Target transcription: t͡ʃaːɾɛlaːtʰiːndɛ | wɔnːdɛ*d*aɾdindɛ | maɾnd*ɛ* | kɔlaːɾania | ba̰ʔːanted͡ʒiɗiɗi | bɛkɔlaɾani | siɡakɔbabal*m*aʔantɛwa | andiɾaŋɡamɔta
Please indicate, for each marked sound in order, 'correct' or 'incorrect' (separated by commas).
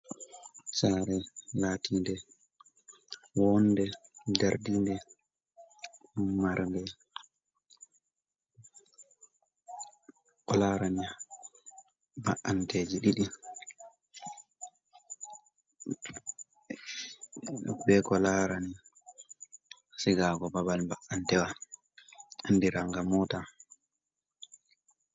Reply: correct, correct, incorrect